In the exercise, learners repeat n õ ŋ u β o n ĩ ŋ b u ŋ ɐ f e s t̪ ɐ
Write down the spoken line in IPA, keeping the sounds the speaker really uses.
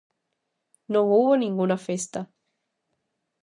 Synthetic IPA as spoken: n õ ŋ u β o n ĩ ŋ ɡ u n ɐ f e s t̪ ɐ